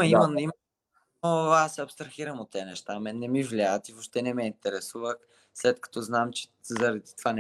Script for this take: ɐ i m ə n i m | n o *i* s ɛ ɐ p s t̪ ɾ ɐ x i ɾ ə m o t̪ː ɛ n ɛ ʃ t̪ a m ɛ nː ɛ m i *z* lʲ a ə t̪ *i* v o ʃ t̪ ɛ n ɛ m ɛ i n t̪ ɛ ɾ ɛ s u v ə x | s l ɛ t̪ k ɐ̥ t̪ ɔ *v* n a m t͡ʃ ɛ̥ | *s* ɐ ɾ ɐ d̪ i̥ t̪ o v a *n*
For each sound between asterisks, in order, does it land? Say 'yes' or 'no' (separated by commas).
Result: no, no, yes, no, no, yes